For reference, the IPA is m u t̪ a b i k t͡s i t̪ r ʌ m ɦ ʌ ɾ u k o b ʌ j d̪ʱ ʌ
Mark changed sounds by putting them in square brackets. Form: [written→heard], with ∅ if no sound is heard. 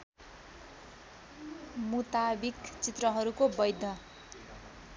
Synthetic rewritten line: m u t̪ a b i k t͡s i t̪ r ʌ [m→∅] ɦ ʌ ɾ u k o b ʌ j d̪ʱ ʌ

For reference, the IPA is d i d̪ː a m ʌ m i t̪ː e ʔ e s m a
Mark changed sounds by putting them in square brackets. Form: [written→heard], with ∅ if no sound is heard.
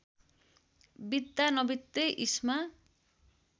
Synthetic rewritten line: [d→b] i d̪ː a [m→n] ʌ [m→b] i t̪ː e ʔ [e→i] s m a

